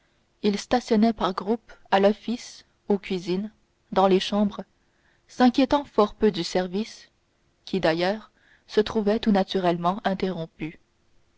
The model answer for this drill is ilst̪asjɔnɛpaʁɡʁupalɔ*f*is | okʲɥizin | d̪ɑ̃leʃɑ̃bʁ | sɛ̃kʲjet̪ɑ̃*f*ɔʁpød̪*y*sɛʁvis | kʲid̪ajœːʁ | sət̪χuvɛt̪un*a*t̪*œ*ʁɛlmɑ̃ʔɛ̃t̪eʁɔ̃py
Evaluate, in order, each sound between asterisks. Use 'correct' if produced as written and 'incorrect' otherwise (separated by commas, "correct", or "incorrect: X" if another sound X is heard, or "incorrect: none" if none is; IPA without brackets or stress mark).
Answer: correct, correct, correct, correct, incorrect: y